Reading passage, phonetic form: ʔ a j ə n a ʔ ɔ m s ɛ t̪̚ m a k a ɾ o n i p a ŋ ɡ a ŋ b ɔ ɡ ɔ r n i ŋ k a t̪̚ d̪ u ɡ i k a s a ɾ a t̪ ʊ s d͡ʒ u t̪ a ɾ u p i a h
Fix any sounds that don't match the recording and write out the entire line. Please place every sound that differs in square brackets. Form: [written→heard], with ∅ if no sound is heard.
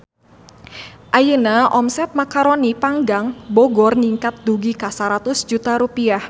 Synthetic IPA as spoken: ʔ a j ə n a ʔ ɔ m s ɛ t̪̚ m a k a ɾ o n i p a ŋ ɡ a ŋ b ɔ ɡ ɔ r n i ŋ k a t̪̚ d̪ u ɡ i k a s a ɾ a t̪ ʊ s d͡ʒ u t̪ a ɾ u p i a h